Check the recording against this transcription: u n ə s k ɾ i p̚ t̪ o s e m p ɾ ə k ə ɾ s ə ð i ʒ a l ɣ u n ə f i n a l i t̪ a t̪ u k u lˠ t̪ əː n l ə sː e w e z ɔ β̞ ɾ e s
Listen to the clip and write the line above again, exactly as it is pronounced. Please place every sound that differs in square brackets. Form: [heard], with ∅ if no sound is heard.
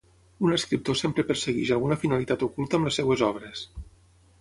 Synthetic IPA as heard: u n ə s k ɾ i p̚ t̪ o s e m p ɾ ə [p] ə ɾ s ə [ɣ] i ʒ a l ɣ u n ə f i n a l i t̪ a t̪ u k u lˠ t̪ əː [m] l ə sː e w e z ɔ β̞ ɾ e s